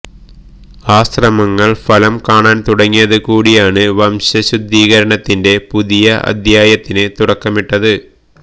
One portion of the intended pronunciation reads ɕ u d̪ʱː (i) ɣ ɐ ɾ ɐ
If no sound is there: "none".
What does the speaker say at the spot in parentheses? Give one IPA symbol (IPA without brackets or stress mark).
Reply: iː